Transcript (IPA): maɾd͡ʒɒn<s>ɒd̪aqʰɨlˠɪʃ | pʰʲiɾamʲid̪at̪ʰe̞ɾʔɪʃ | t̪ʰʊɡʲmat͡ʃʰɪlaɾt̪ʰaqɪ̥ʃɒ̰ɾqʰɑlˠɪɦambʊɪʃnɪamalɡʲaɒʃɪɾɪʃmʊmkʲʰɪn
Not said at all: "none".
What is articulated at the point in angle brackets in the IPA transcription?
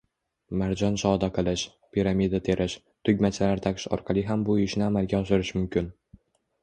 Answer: ʃ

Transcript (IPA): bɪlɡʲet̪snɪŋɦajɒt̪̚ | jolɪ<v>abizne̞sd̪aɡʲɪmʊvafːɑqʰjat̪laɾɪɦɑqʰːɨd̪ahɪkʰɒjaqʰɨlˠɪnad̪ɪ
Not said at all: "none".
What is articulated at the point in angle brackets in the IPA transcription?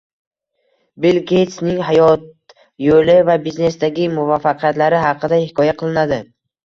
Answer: v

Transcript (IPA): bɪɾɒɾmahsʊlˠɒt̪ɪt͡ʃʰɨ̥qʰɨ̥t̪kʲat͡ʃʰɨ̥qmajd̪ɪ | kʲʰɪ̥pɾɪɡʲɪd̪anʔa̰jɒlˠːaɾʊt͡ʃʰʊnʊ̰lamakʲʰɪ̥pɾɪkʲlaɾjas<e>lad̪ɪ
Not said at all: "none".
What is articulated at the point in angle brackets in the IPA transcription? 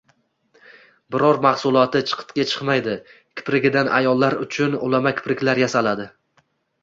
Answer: a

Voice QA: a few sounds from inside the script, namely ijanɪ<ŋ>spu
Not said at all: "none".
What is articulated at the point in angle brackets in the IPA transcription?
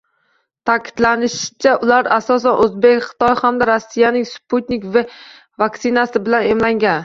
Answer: ŋ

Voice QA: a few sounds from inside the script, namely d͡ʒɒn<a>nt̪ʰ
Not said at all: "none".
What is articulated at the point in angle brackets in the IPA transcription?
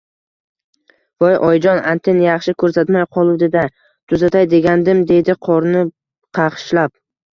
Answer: a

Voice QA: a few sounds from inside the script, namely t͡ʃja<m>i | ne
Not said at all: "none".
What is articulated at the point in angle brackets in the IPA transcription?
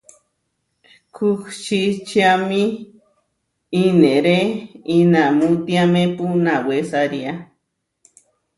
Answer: m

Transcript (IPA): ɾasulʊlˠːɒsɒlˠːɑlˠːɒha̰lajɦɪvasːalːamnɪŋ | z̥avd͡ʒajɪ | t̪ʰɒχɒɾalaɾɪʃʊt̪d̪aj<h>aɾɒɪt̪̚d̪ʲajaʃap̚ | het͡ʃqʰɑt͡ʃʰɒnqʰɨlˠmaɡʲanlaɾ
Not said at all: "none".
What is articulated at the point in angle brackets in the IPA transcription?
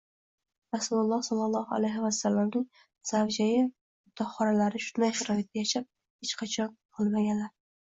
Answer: ʃ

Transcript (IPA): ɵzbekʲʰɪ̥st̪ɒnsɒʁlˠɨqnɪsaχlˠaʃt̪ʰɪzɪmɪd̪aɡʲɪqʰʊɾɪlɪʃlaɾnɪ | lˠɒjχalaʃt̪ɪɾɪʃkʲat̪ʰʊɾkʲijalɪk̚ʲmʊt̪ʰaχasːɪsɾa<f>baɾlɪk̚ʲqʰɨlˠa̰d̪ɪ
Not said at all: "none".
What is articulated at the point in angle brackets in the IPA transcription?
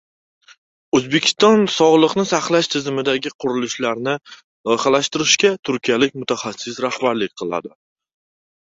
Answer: h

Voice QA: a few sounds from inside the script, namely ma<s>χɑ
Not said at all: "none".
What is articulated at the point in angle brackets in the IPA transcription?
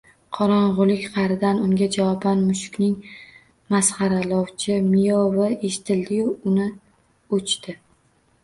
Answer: s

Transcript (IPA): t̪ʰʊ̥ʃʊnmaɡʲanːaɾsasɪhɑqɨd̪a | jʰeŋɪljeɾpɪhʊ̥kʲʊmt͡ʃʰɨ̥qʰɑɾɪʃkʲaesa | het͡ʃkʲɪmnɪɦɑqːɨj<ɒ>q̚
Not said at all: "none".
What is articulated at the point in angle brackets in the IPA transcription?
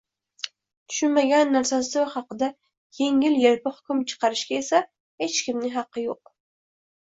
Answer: o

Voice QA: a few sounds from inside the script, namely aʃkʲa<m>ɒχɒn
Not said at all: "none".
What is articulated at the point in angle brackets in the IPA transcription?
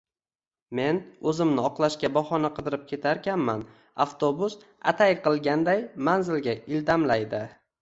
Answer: b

